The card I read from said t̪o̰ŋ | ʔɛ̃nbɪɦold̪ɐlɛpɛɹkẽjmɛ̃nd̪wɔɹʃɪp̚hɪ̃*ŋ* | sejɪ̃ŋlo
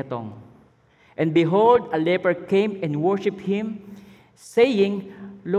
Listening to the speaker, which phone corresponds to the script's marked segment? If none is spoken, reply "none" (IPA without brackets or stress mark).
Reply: m